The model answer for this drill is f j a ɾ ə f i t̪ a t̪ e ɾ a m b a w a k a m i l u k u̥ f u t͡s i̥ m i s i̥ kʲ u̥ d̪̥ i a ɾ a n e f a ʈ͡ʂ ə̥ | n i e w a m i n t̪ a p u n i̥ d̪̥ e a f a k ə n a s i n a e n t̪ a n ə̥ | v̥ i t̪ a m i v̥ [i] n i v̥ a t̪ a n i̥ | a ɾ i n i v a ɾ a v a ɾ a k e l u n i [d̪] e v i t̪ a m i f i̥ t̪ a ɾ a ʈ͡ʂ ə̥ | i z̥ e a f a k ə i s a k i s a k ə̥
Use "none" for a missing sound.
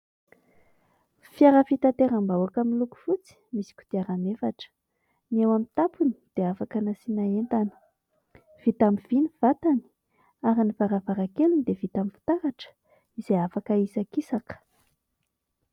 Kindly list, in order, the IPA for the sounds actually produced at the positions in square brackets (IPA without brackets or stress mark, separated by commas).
i, d̪